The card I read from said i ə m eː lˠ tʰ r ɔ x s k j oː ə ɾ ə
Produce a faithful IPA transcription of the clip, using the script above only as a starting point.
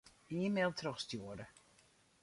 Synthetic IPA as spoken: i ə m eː lˠ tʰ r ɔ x s t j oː ə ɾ ə